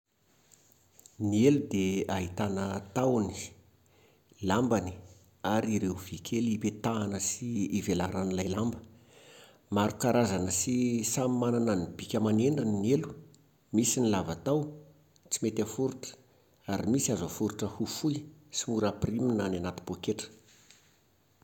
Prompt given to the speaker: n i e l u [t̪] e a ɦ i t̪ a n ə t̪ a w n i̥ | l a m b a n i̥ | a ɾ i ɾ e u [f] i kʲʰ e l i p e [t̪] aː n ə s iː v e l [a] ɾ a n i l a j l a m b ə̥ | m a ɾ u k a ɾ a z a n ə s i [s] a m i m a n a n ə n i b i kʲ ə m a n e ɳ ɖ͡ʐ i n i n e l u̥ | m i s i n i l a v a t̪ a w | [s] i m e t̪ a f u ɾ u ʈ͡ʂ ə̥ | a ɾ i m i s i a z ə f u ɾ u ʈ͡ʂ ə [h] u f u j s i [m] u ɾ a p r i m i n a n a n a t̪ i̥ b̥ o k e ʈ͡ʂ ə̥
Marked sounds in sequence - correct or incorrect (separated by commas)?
incorrect, incorrect, correct, correct, correct, incorrect, correct, correct